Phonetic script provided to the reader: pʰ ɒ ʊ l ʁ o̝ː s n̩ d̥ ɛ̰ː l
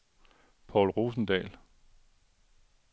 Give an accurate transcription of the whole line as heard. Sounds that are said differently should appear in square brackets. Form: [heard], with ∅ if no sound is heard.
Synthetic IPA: pʰ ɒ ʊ l ʁ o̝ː s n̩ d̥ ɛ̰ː l